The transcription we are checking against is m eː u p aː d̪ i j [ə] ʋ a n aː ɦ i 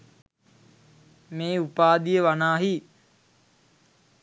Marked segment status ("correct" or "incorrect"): correct